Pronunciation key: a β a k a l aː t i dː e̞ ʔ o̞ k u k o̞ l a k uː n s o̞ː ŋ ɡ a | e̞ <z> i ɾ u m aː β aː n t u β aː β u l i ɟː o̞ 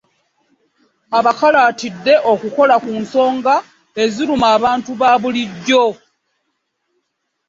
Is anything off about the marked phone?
no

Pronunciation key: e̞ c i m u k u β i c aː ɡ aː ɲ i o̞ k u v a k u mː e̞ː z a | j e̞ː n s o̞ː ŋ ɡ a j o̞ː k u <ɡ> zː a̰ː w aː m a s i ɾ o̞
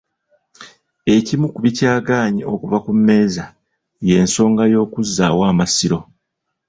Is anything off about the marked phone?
yes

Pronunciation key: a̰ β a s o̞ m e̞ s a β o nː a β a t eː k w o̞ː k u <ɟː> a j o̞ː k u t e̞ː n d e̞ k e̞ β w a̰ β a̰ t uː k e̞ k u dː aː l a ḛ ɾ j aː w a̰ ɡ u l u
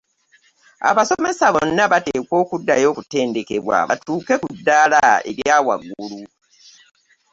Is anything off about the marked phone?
yes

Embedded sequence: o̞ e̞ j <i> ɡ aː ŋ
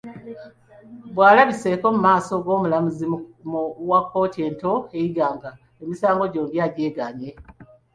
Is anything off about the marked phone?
no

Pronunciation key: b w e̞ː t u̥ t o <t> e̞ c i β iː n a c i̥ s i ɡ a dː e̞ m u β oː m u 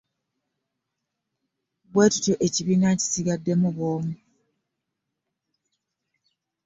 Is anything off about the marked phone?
yes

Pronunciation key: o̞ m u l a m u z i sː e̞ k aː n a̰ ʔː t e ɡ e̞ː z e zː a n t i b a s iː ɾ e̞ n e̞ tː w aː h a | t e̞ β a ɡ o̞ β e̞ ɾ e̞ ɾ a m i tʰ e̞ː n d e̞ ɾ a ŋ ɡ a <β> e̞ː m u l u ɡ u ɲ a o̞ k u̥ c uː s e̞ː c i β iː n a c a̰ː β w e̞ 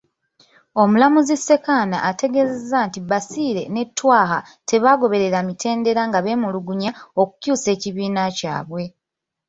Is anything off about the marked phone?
no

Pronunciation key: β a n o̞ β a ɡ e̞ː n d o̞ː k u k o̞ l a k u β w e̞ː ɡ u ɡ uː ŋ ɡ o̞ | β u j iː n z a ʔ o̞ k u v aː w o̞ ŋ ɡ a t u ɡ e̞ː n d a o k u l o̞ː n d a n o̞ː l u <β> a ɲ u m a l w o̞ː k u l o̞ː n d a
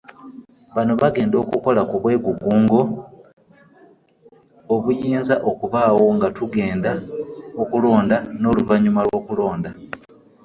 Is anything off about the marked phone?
yes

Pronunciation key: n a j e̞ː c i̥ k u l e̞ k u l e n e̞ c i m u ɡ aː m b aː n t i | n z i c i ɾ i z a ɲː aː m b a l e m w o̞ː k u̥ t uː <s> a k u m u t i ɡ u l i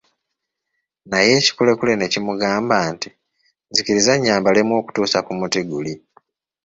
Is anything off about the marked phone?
no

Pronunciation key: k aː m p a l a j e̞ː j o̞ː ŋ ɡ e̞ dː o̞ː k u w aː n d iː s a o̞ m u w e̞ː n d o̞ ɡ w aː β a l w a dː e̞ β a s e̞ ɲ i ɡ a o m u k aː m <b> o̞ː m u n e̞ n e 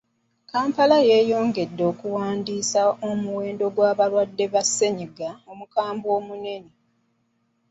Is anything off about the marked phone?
no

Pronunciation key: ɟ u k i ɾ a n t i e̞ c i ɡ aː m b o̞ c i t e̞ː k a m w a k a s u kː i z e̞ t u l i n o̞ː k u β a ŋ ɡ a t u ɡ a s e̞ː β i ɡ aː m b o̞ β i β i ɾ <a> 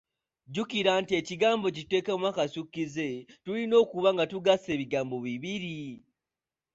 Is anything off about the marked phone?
yes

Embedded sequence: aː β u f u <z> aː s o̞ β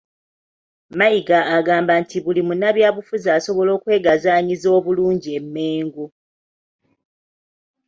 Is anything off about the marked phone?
no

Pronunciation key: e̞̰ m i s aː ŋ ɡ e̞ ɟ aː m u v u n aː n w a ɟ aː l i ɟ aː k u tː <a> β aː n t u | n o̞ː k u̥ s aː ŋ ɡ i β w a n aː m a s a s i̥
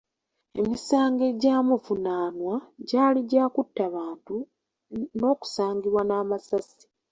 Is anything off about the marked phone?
no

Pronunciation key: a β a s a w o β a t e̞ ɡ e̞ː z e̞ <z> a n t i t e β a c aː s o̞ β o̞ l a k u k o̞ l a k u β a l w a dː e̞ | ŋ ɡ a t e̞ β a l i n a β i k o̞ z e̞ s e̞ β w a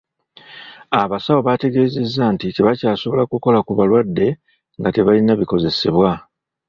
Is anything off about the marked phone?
yes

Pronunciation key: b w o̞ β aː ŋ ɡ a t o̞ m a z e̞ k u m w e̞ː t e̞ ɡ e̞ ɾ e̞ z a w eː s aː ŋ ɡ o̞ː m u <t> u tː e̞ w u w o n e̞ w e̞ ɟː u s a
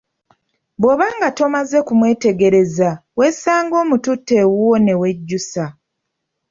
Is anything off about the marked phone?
no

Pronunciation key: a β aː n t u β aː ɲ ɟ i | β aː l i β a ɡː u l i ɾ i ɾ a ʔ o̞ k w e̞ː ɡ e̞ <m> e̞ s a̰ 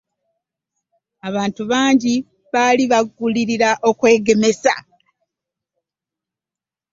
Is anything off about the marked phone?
no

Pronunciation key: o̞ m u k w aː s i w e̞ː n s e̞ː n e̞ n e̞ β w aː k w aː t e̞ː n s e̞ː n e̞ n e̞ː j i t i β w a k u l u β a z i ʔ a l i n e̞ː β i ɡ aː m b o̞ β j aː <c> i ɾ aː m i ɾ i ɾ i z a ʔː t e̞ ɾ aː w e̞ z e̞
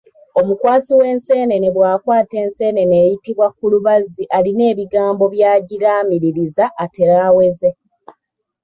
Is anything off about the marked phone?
yes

